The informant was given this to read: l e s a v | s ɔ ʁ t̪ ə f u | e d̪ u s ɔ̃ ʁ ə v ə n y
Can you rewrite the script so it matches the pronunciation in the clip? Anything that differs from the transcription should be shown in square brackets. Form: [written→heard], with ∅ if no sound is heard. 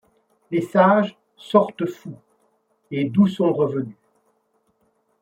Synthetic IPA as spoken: l e s a [v→ʒ] | s ɔ ʁ t̪ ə f u | e d̪ u s ɔ̃ ʁ ə v ə n y